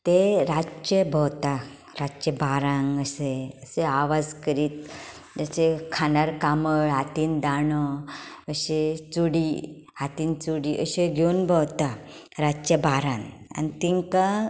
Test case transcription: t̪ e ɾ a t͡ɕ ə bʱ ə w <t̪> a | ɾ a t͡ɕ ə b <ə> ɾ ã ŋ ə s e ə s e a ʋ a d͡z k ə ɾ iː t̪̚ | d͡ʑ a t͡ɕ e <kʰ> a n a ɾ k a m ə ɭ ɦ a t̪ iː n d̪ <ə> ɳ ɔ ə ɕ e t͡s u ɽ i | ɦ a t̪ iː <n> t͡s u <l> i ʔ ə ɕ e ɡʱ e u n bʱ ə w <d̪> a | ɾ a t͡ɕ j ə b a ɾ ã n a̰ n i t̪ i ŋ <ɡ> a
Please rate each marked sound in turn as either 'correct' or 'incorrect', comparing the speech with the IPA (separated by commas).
correct, incorrect, correct, incorrect, correct, incorrect, incorrect, incorrect